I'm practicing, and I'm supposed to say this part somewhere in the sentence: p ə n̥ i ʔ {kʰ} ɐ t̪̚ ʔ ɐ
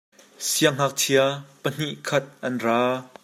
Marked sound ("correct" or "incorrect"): correct